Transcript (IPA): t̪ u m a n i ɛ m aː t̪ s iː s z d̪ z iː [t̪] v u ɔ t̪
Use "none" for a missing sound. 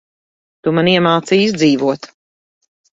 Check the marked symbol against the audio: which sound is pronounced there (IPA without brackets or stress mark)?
none